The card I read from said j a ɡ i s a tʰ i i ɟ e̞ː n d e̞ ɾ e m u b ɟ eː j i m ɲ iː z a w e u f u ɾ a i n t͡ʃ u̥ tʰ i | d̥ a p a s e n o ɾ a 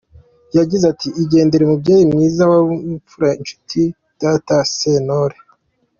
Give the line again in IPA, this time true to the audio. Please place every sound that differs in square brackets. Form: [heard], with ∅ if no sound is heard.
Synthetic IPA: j a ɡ i [z] a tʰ i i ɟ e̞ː n d e̞ ɾ e m u b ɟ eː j i m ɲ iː z a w [a] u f u ɾ a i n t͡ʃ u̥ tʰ i | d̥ a [t] a s e n o ɾ [e]